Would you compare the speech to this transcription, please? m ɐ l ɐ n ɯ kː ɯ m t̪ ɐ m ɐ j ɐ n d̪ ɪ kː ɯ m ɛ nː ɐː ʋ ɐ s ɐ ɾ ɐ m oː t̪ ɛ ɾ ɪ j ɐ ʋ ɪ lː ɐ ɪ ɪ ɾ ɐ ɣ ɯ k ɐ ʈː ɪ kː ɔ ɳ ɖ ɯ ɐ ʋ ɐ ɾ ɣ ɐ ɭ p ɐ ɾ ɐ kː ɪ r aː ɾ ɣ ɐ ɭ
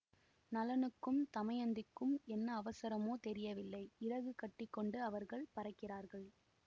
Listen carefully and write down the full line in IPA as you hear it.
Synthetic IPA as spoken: n ɐ l ɐ n ɯ kː ɯ m t̪ ɐ m ɐ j ɐ n d̪ ɪ kː ɯ m ɛ nː ɐː ʋ ɐ s ɐ ɾ ɐ m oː t̪ ɛ ɾ ɪ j ɐ ʋ ɪ lː ɐ ɪ ɪ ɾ ɐ ɣ ɯ k ɐ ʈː ɪ kː ɔ ɳ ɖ ɯ ɐ ʋ ɐ ɾ ɣ ɐ ɭ p ɐ ɾ ɐ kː ɪ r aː ɾ ɣ ɐ ɭ

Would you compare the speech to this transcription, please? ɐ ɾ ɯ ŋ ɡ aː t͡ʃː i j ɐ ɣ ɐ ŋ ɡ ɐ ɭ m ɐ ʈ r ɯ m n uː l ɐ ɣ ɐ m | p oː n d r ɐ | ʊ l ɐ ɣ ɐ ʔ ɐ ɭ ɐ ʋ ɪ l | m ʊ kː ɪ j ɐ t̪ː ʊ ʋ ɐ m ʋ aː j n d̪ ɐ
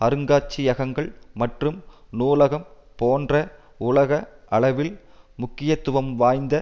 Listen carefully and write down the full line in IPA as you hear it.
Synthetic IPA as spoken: ɐ ɾ ɯ ŋ ɡ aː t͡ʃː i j ɐ ɣ ɐ ŋ ɡ ɐ ɭ m ɐ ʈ r ɯ m n uː l ɐ ɣ ɐ m | p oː n d r ɐ | ʊ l ɐ ɣ ɐ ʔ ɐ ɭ ɐ ʋ ɪ l | m ʊ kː ɪ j ɐ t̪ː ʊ ʋ ɐ m ʋ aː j n d̪ ɐ

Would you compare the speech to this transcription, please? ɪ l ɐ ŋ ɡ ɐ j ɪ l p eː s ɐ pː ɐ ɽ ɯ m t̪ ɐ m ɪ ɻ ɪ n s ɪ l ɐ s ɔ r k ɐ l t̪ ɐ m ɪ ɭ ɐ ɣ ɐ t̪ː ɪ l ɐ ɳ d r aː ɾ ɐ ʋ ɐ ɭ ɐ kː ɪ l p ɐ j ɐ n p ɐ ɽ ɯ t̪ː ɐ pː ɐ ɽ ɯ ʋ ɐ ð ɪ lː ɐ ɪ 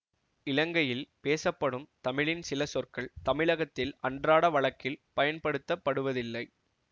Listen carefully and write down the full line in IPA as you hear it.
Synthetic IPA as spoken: ɪ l ɐ ŋ ɡ ɐ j ɪ l p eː s ɐ pː ɐ ɽ ɯ m t̪ ɐ m ɪ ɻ ɪ n s ɪ l ɐ s ɔ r k ɐ ɭ t̪ ɐ m ɪ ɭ ɐ ɣ ɐ t̪ː ɪ l ɐ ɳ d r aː ɽ ɐ ʋ ɐ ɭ ɐ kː ɪ l p ɐ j ɐ n p ɐ ɽ ɯ t̪ː ɐ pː ɐ ɽ ɯ ʋ ɐ ð ɪ lː ɐ ɪ

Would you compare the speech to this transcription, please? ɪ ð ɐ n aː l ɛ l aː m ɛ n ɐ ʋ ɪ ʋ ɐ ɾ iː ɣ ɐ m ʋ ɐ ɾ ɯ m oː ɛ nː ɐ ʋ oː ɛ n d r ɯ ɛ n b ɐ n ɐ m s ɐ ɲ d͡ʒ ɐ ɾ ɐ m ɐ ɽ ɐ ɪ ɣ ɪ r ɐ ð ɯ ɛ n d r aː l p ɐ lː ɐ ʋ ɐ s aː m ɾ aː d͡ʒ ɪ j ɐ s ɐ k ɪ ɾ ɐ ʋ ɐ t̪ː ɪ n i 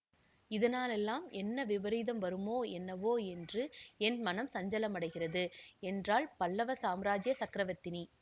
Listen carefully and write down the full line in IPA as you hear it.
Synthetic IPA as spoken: ɪ ð ɐ n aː l ɛ lː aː m ɛ nː ɐ ʋ ɪ ʋ ɐ ɾ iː ð ɐ m ʋ ɐ ɾ ɯ m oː ɛ nː ɐ ʋ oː ɛ n d r ɯ ɛ n m ɐ n ɐ m s ɐ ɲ d͡ʒ ɐ l ɐ m ɐ ɽ ɐ ɪ ɣ ɪ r ɐ ð ɯ ɛ n d r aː l p ɐ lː ɐ ʋ ɐ s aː m ɾ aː d͡ʒ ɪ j ɐ s ɐ k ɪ ɾ ɐ ʋ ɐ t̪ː ɪ n i

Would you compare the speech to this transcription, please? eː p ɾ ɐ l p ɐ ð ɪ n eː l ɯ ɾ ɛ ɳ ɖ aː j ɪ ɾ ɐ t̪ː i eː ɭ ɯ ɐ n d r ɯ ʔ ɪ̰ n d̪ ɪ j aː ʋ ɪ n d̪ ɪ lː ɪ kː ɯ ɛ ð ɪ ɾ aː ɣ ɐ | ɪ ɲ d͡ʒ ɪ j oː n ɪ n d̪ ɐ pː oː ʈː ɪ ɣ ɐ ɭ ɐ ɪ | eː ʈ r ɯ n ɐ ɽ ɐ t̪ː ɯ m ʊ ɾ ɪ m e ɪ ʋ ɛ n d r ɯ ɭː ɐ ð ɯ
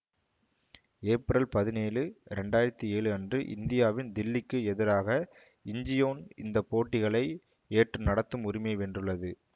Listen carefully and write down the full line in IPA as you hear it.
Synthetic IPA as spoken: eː p ɾ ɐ l p ɐ ð ɪ n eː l ɯ ɾ ɛ ɳ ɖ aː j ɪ ɾ ɐ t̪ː i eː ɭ ɯ ɐ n d r ɯ ʔ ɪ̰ n d̪ ɪ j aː ʋ ɪ n d̪ ɪ lː ɪ kː ɯ ɛ ð ɪ ɾ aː ɣ ɐ | ɪ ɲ d͡ʒ ɪ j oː n ɪ n d̪ ɐ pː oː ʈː ɪ ɣ ɐ ɭ ɐ ɪ | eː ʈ r ɯ n ɐ ɽ ɐ t̪ː ɯ m ʊ ɾ ɪ m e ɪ ʋ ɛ n d r ɯ ɭː ɐ ð ɯ

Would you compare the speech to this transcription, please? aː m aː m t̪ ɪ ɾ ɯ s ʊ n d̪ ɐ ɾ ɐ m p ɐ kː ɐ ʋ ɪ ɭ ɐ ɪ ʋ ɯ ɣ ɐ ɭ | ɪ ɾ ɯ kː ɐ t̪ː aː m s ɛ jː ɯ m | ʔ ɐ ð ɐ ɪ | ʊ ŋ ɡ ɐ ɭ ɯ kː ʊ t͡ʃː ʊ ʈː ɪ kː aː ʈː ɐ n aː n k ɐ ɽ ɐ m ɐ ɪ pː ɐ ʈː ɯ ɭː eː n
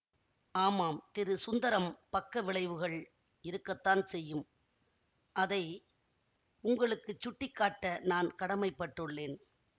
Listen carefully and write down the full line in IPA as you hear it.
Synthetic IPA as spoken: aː m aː m t̪ ɪ ɾ ɯ s ʊ n d̪ ɐ ɾ ɐ m p ɐ kː ɐ ʋ ɪ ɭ ɐ ɪ ʋ ɯ ɣ ɐ ɭ | ɪ ɾ ɯ kː ɐ t̪ː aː n s ɛ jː ɯ m | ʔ ɐ ð ɐ ɪ | ʊ ŋ ɡ ɐ ɭ ɯ kː ɯ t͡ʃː ʊ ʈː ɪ kː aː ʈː ɐ n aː n k ɐ ɽ ɐ m ɐ ɪ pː ɐ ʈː ɯ ɭː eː n

